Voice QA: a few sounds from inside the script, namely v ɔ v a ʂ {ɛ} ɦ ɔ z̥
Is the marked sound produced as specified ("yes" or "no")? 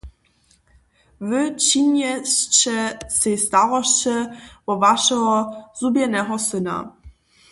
yes